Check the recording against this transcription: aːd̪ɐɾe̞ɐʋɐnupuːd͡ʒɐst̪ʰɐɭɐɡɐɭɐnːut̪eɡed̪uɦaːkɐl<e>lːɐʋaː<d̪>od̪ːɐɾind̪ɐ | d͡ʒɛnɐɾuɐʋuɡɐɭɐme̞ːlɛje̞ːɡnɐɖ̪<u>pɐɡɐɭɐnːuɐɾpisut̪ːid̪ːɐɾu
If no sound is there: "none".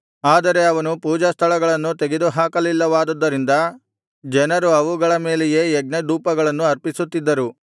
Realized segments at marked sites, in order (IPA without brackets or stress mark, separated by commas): i, d̪, uː